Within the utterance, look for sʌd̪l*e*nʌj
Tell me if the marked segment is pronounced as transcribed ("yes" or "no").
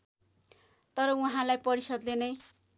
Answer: yes